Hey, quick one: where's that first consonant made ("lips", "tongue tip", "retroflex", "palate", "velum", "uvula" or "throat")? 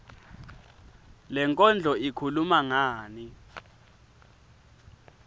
tongue tip